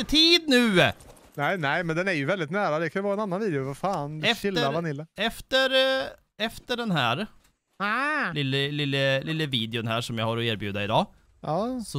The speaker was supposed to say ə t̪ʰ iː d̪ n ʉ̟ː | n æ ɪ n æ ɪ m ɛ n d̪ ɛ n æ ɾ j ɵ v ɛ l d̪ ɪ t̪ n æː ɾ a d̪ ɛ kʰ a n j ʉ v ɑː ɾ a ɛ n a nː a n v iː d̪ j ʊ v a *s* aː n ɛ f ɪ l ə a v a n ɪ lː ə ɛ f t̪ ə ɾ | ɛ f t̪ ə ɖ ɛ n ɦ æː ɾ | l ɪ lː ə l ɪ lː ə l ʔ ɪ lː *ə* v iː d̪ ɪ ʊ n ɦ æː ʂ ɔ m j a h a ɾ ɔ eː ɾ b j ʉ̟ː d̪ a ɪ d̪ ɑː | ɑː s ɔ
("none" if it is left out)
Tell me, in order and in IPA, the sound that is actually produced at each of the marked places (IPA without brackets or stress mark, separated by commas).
f, ə